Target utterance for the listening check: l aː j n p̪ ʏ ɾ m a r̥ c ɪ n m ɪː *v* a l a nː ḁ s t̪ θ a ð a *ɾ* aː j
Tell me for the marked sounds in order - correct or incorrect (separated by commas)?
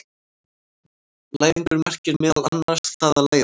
incorrect, incorrect